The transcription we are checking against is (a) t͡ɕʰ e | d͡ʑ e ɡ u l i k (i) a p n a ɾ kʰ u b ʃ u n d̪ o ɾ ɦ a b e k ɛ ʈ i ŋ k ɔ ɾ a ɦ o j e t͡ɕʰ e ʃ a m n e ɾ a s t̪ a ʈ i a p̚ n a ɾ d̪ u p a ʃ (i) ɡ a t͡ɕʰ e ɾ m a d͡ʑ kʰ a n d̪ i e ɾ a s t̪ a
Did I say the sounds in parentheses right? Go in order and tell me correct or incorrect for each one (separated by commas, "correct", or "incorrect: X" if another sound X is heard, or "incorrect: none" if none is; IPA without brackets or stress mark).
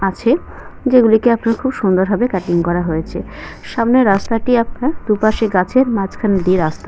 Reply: correct, incorrect: e, incorrect: e